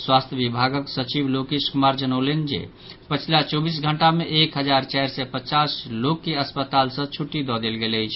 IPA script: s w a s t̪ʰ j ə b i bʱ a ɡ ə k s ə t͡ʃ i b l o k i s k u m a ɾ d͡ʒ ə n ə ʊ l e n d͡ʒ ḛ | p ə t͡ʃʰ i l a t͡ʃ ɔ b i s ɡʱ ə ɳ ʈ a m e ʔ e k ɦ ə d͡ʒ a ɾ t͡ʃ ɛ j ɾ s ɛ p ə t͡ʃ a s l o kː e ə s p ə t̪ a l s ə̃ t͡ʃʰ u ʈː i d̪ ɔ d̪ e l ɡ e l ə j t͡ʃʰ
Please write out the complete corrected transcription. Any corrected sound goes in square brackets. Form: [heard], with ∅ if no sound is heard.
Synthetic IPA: s w a s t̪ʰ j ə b i bʱ a ɡ ə k s ə t͡ʃ i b l o k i s k u m a ɾ d͡ʒ ə n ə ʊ l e n d͡ʒ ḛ | p ə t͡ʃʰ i l a t͡ʃ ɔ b i s ɡʱ ə ɳ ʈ a m e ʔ e k ɦ ə d͡ʒ a ɾ t͡ʃ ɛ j ɾ s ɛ p ə t͡ʃ a s l o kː e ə s p ə t̪ a l s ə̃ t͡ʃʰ u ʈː i d̪ ɔ d̪ e l ɡ e l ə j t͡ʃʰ